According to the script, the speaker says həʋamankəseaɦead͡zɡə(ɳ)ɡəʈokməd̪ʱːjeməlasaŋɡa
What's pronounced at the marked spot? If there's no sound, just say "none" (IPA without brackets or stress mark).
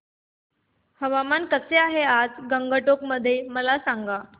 ŋ